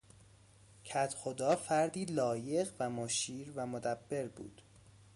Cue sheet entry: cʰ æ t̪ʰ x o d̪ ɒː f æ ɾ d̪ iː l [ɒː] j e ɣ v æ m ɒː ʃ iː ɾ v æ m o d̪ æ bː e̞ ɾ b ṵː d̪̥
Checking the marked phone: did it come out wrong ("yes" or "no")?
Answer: no